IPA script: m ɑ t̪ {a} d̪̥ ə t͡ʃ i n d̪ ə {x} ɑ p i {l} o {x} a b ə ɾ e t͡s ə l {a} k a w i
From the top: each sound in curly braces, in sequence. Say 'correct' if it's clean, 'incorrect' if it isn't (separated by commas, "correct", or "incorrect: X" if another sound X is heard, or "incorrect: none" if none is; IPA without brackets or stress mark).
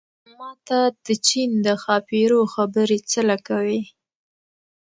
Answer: correct, correct, incorrect: ɾ, correct, correct